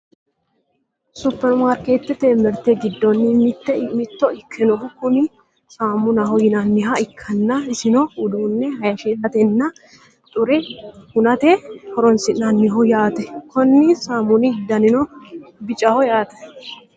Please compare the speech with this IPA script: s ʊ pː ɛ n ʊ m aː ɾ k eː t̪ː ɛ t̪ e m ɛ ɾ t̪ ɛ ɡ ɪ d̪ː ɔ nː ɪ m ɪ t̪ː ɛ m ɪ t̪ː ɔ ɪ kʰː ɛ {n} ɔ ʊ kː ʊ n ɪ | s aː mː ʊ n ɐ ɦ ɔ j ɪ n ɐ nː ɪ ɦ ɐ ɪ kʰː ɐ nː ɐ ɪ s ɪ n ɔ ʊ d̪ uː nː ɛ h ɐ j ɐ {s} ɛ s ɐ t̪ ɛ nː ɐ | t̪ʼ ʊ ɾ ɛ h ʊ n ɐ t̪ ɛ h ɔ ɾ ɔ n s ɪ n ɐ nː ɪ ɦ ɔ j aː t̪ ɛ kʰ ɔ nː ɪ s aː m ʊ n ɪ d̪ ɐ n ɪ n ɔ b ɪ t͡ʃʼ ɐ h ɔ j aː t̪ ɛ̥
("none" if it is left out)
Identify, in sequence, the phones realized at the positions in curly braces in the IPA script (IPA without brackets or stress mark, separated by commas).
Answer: n, ʃ